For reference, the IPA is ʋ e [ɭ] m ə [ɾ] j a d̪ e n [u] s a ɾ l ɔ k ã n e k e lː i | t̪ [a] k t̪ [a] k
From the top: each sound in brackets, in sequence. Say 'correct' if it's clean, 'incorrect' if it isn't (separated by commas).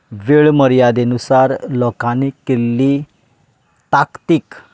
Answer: correct, correct, correct, correct, incorrect